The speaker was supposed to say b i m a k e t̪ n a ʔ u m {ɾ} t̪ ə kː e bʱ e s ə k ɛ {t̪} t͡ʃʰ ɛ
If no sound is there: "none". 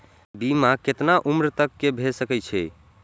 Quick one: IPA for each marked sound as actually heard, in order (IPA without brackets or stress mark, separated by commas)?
ɾ, none